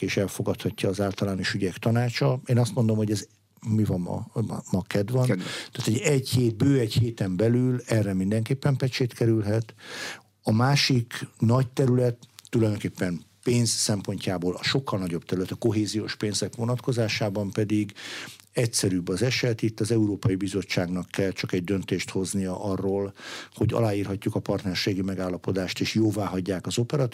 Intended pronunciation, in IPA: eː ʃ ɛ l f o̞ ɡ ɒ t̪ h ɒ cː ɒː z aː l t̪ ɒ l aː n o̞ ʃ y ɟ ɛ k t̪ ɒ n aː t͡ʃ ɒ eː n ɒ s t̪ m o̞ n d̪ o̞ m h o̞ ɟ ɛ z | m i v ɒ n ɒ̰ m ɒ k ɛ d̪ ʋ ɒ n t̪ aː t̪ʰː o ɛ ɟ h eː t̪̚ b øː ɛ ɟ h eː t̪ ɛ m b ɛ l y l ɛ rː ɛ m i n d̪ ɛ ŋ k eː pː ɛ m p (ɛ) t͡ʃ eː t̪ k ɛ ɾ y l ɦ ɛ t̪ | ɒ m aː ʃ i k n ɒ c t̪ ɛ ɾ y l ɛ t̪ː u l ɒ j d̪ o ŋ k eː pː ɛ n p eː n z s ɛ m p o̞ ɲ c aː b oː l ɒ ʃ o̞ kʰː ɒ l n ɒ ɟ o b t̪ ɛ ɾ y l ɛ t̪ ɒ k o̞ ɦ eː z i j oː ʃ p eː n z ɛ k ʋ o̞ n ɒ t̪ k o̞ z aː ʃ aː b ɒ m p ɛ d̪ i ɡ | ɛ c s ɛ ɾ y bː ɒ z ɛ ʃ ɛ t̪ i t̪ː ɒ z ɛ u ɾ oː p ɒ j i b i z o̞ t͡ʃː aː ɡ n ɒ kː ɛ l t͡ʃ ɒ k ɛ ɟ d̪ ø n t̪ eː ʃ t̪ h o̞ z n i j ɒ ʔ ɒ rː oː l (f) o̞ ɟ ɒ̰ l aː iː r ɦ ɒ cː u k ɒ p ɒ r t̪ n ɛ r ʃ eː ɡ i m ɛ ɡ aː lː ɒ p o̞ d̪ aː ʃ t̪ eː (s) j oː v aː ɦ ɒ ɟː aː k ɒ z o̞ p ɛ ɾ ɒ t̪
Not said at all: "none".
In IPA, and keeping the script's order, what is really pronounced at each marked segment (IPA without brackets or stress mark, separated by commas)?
ɛ, h, ʃ